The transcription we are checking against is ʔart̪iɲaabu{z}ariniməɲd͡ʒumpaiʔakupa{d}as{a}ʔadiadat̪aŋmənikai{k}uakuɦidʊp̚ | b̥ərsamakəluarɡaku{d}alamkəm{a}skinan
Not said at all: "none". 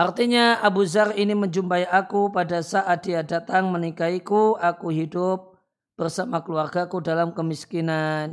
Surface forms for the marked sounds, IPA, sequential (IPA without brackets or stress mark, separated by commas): z, d, a, k, d, i